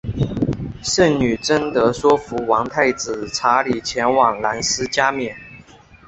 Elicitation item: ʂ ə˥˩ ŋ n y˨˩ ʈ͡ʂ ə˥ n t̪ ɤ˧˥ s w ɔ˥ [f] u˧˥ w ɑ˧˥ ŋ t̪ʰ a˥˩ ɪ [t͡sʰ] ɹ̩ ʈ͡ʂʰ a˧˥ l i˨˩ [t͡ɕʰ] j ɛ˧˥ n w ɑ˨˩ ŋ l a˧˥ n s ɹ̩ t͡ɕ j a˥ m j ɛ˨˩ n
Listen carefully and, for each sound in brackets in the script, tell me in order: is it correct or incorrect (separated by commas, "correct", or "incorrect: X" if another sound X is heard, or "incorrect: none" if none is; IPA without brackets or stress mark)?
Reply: correct, incorrect: t͡s, correct